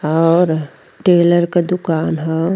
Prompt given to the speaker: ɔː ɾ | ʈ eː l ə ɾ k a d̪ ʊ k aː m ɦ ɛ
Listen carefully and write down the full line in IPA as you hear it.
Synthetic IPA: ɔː ɾ | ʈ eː l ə ɾ k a d̪ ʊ k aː n ɦ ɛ